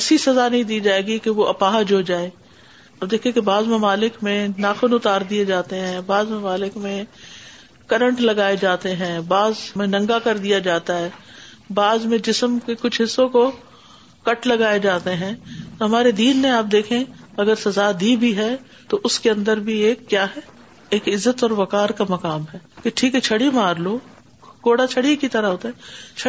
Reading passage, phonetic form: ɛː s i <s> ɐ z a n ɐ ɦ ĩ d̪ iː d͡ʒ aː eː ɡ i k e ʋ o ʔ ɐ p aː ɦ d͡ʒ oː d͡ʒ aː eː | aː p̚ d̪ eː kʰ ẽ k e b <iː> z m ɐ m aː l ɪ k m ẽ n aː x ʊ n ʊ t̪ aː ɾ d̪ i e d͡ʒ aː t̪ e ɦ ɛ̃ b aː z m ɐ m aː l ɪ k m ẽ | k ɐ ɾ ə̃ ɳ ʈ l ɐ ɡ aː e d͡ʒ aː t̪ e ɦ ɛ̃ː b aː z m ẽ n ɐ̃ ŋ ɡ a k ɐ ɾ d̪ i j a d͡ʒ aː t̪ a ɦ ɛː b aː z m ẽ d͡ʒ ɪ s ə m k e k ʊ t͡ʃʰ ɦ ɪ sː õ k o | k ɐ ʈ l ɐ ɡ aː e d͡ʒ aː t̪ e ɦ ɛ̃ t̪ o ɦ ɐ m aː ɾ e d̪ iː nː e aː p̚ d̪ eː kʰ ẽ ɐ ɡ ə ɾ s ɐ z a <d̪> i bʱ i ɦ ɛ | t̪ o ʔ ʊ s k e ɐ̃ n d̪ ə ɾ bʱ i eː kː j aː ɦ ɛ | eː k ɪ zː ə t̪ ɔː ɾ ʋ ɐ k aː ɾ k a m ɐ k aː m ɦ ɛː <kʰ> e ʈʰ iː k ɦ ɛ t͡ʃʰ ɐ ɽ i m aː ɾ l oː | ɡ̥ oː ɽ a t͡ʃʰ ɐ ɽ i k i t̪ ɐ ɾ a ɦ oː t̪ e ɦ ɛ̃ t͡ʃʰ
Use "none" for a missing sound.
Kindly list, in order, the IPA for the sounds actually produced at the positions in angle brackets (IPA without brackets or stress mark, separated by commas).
s, aː, d̪, k